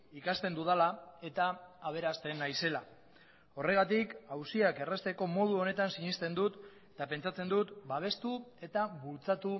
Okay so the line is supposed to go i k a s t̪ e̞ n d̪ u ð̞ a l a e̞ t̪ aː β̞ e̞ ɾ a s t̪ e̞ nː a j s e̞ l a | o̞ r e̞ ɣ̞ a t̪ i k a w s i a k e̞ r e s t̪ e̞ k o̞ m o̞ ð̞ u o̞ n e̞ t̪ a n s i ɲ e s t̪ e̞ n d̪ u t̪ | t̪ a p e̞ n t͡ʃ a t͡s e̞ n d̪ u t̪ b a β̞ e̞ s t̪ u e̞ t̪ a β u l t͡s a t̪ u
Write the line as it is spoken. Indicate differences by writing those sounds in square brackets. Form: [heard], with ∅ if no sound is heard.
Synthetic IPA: i k a s t̪ e̞ n d̪ u ð̞ a l a e̞ t̪ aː β̞ e̞ ɾ a s t̪ e̞ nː a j s e̞ l a | o̞ r e̞ ɣ̞ a t̪ i k a w s i a k e̞ r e s t̪ e̞ k o̞ m o̞ ð̞ u o̞ n e̞ t̪ a n s i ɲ [i] s t̪ e̞ n d̪ u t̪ | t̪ a p e̞ n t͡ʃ a t͡s e̞ n d̪ u t̪ b a β̞ e̞ s t̪ u e̞ t̪ a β u l t͡s a t̪ u